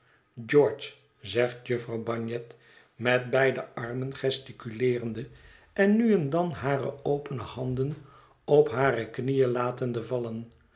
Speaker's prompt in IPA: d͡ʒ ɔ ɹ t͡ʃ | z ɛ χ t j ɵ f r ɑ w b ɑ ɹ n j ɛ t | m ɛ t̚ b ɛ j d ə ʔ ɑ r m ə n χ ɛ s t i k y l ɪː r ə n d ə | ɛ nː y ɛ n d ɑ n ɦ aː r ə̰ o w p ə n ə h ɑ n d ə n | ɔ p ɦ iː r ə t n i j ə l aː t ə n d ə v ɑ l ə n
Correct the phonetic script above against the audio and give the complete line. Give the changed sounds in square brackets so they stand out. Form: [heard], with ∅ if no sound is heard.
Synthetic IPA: d͡ʒ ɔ ɹ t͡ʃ | z ɛ χ t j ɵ f r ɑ w b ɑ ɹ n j ɛ t | m ɛ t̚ b ɛ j d ə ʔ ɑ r m ə n χ ɛ s t i k y l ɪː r ə n d ə | ɛ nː y ɛ n d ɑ n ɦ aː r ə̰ o w p ə n ə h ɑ n d ə n | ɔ p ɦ [aː] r ə [k] n i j ə l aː t ə n d ə v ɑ l ə n